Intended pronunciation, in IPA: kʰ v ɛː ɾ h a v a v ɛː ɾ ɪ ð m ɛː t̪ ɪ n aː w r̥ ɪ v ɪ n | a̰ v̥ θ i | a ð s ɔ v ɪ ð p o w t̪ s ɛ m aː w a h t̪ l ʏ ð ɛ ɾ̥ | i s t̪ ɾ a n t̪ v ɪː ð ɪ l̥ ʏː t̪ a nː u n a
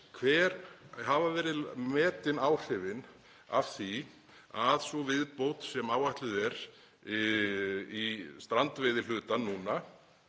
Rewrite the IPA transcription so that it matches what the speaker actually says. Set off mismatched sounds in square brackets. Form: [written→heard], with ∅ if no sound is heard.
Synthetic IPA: kʰ v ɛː ɾ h a v a v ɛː ɾ ɪ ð m ɛː t̪ ɪ n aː w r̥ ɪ v ɪ n | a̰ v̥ θ i | a ð s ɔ v ɪ ð p o w t̪ s ɛ m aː w a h t̪ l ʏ ð ɛ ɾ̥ | i s t̪ ɾ a n t̪ v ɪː ð ɪ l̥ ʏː t̪ a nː u n a